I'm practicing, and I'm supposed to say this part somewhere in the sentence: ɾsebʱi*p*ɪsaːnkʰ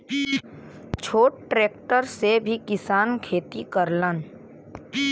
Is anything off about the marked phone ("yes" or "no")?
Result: yes